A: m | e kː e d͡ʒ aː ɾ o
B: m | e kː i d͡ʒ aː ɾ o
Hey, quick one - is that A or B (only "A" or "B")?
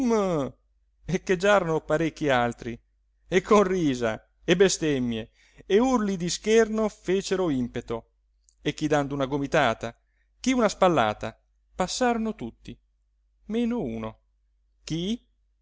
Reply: A